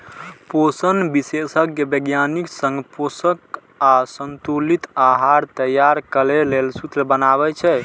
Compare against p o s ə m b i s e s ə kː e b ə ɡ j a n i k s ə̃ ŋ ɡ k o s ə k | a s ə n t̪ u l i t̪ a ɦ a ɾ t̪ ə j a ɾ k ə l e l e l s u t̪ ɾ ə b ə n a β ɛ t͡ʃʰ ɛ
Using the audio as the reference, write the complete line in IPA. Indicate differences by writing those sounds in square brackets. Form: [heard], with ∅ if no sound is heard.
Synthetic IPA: p o s ə [n] b i s e s ə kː e b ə ɡ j a n i k s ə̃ ŋ ɡ [p] o s ə k | a s ə n t̪ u l i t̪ a ɦ a ɾ t̪ ə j a ɾ k ə l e l e l s u t̪ ɾ ə b ə n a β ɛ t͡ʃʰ ɛ